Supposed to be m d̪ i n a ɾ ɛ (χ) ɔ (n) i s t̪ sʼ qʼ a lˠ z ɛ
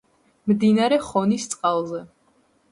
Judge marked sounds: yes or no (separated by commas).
yes, yes